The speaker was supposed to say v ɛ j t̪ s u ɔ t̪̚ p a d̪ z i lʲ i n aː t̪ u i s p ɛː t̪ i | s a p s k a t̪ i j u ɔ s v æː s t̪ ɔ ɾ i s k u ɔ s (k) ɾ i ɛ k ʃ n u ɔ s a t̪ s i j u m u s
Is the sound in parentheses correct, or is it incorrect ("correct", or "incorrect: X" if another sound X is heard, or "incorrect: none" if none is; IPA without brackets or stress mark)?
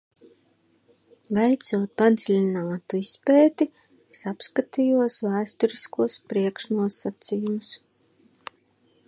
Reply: incorrect: p